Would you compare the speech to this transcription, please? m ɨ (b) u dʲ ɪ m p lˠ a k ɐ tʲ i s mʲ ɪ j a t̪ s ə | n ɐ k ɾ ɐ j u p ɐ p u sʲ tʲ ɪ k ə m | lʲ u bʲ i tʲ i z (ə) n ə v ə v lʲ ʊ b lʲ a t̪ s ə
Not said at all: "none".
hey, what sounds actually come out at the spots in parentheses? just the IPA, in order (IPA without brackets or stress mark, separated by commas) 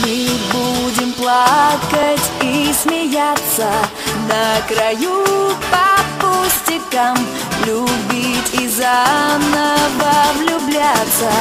b, a